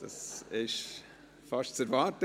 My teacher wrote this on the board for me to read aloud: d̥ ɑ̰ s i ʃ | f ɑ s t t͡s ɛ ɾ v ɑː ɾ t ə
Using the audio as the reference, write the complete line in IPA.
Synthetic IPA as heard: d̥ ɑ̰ s ɪ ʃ | f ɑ ʃ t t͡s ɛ ɾ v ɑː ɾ t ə